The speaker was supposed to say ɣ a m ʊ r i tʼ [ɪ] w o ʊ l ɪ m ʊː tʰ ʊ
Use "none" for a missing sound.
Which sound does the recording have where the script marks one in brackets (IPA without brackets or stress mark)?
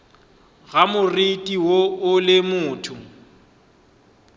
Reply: i